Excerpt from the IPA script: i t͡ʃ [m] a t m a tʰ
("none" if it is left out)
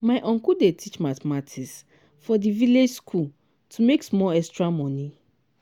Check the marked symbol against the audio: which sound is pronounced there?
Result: m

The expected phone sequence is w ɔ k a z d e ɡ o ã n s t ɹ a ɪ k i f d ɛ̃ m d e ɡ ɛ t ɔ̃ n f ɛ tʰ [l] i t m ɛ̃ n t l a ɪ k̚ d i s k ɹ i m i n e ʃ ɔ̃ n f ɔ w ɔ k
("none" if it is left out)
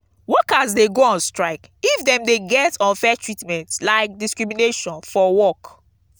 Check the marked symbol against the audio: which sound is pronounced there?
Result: ɹ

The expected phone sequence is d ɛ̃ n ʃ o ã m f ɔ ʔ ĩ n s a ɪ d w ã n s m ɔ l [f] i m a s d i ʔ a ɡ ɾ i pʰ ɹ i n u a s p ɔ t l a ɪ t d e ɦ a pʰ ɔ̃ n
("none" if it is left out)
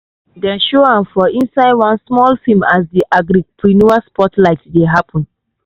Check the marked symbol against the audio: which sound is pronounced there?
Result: f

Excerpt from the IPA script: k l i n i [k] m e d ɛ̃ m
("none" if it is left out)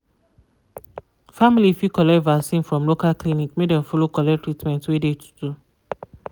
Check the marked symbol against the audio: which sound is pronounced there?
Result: k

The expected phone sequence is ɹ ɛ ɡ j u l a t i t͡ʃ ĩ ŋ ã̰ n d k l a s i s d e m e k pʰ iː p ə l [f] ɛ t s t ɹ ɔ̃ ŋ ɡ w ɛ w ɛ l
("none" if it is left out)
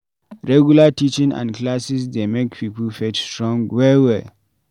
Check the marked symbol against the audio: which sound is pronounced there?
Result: f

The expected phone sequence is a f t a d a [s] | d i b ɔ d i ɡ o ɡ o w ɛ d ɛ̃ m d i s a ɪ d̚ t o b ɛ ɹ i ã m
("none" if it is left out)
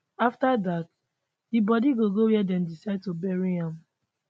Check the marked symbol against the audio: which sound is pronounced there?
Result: t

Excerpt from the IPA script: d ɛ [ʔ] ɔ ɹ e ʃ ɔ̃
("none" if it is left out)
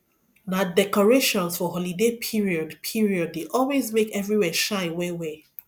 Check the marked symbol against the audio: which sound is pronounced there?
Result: k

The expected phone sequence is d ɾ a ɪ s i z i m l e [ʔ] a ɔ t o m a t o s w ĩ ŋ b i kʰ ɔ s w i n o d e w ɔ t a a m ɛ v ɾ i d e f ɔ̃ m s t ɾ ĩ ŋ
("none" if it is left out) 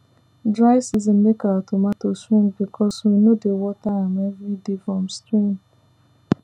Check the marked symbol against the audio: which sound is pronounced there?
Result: k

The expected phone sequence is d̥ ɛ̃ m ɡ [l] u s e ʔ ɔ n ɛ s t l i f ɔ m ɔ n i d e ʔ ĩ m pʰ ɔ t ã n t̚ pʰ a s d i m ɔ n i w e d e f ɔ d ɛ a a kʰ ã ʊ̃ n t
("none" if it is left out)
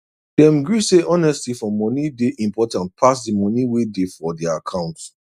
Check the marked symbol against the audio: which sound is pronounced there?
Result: ɹ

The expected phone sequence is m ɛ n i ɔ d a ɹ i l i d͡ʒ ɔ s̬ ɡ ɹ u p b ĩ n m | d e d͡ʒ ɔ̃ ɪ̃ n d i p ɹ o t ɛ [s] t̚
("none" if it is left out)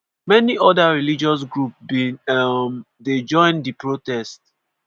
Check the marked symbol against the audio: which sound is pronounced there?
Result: s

